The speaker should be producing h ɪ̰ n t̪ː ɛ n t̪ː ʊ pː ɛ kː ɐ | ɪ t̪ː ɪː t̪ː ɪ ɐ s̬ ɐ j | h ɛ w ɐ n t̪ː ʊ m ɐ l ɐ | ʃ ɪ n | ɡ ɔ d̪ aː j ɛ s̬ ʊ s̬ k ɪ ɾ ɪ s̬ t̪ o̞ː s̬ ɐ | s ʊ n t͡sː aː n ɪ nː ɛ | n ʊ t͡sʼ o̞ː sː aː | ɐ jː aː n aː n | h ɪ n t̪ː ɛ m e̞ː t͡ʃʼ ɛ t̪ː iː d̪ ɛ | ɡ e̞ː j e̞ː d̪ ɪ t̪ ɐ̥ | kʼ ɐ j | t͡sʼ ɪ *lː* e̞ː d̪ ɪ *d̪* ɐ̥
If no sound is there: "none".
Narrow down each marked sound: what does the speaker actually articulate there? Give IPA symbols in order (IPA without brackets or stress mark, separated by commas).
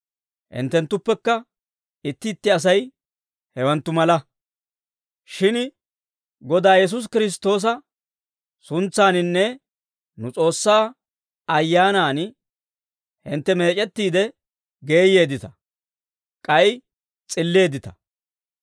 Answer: lː, t̪